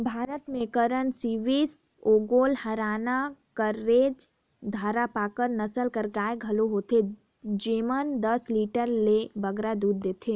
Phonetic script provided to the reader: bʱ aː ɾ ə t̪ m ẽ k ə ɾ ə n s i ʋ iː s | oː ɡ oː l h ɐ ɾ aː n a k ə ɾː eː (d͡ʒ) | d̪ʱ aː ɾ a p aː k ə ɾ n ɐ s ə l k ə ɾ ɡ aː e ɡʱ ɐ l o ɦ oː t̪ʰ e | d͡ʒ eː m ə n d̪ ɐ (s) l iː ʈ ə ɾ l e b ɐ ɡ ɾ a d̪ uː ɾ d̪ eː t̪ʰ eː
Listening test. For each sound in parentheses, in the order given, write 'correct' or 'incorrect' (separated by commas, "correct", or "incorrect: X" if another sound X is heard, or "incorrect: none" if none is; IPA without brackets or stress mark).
correct, correct